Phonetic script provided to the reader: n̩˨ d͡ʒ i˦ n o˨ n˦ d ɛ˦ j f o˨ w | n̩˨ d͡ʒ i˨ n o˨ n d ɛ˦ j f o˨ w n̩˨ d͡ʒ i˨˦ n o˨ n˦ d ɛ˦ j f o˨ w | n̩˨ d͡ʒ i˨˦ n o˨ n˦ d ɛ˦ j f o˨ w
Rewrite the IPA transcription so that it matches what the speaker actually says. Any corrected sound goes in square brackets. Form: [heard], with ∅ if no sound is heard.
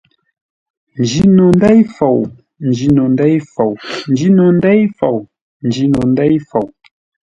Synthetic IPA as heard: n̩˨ d͡ʒ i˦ n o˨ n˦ d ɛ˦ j f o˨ w | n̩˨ d͡ʒ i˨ n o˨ n d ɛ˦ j f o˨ w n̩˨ d͡ʒ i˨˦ n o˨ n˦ d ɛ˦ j f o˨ w | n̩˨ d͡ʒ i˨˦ n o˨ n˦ d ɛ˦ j f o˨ w